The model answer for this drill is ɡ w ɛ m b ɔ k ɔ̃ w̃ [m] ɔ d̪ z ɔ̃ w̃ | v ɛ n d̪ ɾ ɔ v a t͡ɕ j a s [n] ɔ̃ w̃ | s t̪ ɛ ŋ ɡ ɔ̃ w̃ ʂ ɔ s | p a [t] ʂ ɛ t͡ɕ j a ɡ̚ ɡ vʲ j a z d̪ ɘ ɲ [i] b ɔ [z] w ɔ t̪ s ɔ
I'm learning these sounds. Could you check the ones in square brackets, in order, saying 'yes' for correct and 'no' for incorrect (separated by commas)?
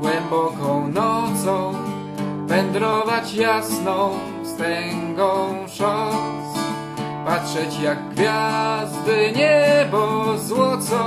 no, yes, yes, no, yes